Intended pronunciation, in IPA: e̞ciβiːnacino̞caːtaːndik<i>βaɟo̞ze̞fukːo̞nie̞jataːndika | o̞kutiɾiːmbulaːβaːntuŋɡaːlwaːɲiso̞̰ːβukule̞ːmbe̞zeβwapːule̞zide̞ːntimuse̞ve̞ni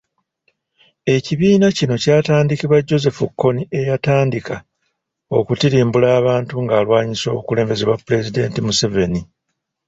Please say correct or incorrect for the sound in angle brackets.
correct